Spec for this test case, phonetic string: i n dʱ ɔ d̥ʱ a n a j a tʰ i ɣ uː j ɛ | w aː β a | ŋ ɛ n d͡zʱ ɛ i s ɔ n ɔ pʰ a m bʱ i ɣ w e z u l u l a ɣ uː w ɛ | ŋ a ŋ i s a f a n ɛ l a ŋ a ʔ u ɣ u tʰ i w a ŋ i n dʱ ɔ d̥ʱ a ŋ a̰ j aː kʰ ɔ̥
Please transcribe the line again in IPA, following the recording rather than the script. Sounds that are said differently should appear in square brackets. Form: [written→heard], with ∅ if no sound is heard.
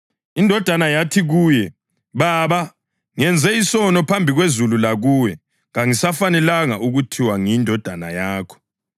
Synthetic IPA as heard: i n dʱ ɔ d̥ʱ a n a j a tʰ i ɣ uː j ɛ | [w→β] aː β a | ŋ ɛ n d͡zʱ ɛ i s ɔ n ɔ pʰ a m bʱ i ɣ w e z u l u l a ɣ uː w ɛ | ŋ a ŋ i s a f a n ɛ l a ŋ a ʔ u ɣ u tʰ i w a ŋ i n dʱ ɔ d̥ʱ a [ŋ→n] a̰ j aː kʰ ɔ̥